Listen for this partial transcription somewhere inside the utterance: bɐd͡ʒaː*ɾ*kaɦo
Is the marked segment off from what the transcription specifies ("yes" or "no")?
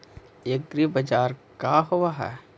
no